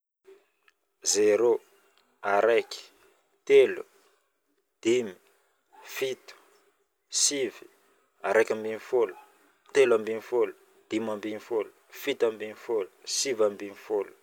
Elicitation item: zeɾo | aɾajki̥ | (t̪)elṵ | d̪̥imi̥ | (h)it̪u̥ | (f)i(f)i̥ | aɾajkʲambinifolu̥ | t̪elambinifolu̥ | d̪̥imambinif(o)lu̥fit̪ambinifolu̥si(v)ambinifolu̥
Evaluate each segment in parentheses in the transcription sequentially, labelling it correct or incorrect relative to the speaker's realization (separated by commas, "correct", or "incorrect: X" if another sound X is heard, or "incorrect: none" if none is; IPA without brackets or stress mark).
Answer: correct, incorrect: f, incorrect: s, incorrect: v, correct, correct